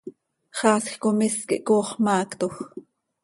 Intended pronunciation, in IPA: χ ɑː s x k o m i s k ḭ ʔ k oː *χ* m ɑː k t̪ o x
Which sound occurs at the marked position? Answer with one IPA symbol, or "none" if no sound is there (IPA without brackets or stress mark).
χ